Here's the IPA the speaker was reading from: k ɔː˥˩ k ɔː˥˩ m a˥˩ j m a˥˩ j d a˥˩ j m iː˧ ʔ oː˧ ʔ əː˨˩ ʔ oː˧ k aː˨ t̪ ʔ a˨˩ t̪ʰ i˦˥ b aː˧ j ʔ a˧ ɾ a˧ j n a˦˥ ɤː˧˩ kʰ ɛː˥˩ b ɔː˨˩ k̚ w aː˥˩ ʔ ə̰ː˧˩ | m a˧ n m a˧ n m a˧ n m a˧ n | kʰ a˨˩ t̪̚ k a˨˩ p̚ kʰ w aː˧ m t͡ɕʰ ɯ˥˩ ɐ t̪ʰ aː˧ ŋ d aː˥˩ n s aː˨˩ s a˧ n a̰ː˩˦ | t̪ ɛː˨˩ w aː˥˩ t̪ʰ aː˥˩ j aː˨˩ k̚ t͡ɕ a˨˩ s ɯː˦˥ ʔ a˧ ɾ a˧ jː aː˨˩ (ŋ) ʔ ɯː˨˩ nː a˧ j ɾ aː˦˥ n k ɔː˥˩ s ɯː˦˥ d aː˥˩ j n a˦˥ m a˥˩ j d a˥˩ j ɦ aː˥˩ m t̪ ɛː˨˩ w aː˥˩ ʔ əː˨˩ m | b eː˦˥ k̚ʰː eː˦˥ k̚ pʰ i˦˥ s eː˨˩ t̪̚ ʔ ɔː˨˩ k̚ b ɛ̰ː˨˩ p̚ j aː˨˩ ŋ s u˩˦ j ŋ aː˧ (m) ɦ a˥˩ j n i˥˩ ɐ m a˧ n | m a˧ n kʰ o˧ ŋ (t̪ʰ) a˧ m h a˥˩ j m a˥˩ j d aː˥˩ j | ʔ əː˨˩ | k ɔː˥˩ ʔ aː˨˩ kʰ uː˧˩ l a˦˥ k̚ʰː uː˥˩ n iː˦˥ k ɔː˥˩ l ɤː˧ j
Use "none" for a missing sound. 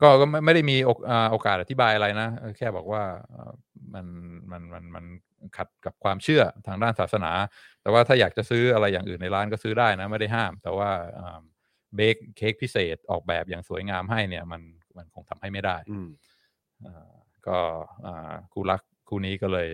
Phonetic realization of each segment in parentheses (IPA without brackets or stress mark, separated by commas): ŋ, m, t̪ʰ